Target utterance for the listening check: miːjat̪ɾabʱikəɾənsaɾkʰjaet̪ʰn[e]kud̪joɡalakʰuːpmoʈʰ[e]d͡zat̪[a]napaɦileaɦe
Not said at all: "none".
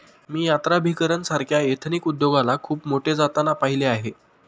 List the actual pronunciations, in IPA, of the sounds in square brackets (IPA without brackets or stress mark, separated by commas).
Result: i, e, a